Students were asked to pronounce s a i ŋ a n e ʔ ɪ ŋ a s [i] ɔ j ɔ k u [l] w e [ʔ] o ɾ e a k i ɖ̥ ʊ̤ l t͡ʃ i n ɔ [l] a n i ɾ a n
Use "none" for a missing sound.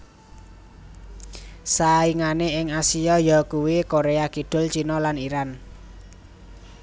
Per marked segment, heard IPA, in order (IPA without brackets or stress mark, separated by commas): i, none, k, l